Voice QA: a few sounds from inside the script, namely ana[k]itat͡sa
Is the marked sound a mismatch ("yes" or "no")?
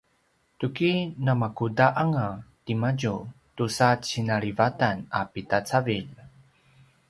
yes